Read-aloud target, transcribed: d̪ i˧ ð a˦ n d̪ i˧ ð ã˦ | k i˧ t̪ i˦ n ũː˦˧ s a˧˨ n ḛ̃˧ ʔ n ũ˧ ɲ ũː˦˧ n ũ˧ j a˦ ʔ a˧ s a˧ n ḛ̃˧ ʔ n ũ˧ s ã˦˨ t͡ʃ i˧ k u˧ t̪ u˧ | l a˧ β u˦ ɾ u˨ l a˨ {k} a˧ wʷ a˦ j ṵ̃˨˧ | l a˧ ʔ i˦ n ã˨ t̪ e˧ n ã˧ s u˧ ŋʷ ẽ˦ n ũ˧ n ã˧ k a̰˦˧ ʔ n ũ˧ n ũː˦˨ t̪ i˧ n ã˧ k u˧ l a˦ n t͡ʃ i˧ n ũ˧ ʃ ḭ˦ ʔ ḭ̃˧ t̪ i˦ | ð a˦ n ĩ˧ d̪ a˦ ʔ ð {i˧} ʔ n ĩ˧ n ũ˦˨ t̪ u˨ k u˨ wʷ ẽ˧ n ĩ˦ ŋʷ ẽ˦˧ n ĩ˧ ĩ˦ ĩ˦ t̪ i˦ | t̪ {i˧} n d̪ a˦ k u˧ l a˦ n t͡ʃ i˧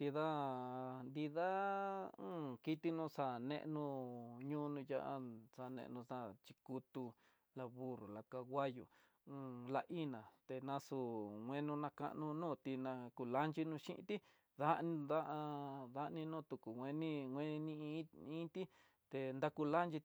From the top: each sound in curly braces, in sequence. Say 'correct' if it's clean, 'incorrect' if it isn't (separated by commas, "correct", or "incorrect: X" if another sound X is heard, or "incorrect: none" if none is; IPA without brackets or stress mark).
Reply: correct, incorrect: a˧, incorrect: e˧